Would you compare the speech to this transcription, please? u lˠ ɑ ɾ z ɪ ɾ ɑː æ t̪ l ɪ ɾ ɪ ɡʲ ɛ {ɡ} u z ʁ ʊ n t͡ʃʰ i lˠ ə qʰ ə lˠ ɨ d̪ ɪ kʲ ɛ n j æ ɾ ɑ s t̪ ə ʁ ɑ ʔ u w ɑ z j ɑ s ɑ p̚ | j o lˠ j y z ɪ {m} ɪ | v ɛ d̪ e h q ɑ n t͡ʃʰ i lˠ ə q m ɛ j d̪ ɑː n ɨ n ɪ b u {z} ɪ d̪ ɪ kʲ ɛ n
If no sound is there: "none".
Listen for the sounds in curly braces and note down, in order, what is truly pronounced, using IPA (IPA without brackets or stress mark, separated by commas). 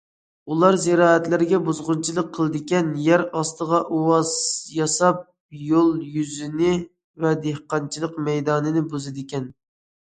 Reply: b, n, z